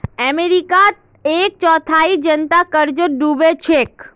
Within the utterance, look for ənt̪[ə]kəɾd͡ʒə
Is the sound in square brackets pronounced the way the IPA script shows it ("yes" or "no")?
no